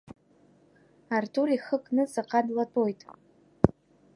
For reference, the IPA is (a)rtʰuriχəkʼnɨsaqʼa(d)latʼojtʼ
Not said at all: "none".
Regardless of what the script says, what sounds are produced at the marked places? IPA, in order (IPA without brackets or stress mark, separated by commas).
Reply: a, d